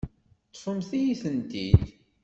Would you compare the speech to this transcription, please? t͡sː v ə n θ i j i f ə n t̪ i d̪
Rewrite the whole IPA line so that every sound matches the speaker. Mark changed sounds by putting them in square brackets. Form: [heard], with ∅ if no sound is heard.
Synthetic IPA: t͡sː [f] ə [m] θ i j i [θ] ə n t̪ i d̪